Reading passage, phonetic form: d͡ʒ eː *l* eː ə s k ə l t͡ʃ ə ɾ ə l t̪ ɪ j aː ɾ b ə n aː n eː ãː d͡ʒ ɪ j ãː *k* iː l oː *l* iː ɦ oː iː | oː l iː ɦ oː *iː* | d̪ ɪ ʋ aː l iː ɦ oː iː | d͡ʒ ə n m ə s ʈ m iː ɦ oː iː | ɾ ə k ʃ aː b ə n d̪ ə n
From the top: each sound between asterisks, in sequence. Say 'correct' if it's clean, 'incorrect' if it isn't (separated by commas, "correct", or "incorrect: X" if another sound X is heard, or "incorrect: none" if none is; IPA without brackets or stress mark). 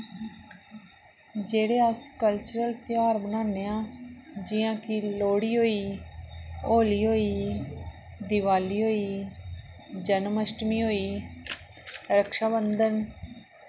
incorrect: ɽ, correct, incorrect: ɽ, correct